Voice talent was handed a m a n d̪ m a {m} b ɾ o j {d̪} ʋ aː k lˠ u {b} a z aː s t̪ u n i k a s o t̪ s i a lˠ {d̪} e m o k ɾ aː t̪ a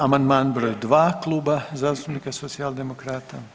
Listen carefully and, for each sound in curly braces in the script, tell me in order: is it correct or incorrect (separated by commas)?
incorrect, correct, correct, correct